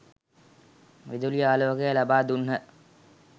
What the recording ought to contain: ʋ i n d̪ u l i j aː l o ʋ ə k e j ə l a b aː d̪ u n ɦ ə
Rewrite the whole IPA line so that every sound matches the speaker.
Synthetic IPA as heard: ʋ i d̪ u l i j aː l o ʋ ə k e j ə l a b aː d̪ u n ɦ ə